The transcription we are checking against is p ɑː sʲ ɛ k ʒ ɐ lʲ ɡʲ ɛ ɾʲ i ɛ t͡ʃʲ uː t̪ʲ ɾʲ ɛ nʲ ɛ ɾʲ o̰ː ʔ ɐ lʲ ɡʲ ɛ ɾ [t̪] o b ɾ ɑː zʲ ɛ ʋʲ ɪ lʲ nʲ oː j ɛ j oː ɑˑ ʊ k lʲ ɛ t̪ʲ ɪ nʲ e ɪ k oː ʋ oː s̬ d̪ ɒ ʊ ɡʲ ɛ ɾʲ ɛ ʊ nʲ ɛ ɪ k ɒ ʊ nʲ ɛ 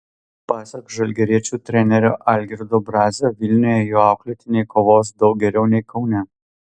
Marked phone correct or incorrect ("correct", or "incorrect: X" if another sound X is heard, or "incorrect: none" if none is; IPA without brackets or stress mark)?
incorrect: d̪